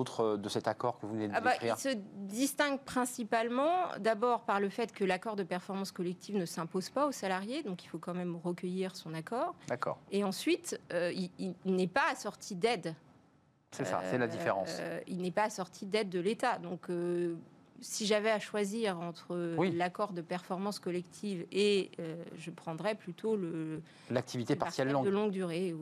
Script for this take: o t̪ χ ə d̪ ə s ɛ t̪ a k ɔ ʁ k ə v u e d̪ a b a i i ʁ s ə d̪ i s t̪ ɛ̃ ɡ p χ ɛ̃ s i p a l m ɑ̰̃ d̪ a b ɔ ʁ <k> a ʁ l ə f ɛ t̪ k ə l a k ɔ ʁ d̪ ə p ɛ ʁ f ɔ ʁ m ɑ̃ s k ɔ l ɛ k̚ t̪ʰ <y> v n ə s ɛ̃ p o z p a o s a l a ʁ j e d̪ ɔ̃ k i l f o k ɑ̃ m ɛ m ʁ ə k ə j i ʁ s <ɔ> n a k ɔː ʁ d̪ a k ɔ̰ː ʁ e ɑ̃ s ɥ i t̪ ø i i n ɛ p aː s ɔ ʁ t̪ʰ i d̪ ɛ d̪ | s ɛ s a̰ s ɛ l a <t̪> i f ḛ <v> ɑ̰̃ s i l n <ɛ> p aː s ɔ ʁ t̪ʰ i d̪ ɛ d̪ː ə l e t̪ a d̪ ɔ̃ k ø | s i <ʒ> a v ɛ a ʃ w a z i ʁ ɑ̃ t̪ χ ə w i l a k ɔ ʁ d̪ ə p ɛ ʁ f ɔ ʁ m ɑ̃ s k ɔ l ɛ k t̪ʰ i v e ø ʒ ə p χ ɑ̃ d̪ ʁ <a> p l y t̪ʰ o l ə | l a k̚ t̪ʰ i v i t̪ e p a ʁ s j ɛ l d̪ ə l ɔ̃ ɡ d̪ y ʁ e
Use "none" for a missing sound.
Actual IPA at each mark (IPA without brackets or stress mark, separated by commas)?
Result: p, i, ɔ̃, d̪, ʁ, ɛ, ʒ, ɛ